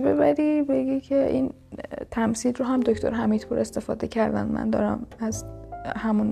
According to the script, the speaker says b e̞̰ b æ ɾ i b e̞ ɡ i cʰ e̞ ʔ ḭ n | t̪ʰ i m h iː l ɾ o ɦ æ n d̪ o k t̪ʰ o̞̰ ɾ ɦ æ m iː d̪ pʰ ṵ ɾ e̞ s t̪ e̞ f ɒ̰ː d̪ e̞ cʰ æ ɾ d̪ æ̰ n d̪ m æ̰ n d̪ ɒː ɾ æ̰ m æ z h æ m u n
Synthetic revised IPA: b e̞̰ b æ ɾ i b e̞ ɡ i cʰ e̞ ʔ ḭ n | t̪ʰ æ m s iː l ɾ o ɦ æ m d̪ o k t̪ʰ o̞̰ ɾ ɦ æ m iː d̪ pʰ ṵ ɾ e̞ s t̪ e̞ f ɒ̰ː d̪ e̞ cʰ æ ɾ d̪ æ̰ n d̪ m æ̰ n d̪ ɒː ɾ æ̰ m æ z h æ m u n